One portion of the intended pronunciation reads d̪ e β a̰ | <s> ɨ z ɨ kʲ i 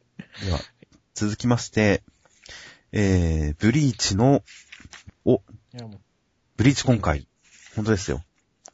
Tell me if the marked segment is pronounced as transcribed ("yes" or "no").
no